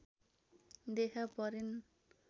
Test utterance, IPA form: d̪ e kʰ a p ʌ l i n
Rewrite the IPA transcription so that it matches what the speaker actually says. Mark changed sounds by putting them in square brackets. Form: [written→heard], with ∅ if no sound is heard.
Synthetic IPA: d̪ e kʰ a p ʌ [l→ɾ] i n